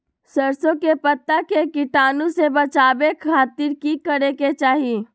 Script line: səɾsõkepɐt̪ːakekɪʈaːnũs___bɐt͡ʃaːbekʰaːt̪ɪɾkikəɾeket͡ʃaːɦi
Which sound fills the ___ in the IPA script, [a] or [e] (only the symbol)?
e